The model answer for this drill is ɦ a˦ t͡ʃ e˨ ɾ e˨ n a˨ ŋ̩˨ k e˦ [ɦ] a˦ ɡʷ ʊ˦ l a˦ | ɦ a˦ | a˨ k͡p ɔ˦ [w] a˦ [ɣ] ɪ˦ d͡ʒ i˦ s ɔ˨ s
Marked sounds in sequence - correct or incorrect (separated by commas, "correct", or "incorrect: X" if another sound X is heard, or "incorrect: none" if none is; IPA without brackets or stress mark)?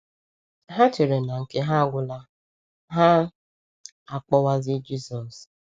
correct, correct, incorrect: z